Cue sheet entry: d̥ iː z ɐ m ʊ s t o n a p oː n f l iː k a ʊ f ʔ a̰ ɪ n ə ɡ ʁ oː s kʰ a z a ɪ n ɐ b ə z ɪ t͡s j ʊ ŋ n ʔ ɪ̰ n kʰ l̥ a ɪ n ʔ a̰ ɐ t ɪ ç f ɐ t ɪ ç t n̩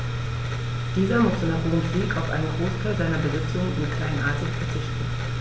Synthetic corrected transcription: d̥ iː z ɐ m ʊ s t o n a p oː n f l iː k a ʊ f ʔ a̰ ɪ n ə ɡ ʁ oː s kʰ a z a ɪ n ɐ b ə z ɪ t͡s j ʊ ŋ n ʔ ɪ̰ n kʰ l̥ a ɪ n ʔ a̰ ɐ t ɪ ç f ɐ t͡s ɪ ç t n̩